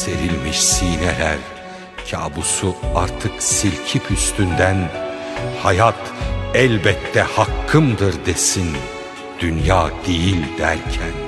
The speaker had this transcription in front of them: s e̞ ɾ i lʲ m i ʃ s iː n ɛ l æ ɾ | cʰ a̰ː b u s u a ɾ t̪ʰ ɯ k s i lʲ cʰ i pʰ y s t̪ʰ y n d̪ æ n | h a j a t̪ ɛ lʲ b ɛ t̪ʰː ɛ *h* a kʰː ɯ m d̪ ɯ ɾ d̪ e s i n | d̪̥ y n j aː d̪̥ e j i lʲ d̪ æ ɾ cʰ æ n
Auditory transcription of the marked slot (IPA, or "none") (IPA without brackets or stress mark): h